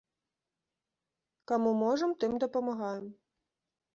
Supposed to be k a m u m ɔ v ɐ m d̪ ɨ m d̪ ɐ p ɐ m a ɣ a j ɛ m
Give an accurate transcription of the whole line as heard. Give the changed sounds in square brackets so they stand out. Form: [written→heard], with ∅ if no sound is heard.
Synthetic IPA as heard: k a m u m ɔ [v→ʐ] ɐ m [d̪→t̪] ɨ m d̪ ɐ p ɐ m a ɣ a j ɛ m